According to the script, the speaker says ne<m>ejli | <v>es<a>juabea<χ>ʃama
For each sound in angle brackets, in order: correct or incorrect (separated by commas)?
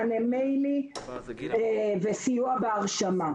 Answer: correct, correct, incorrect, incorrect